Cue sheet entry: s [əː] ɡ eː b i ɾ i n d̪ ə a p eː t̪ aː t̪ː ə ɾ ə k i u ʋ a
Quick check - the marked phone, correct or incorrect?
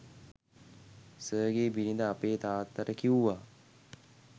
correct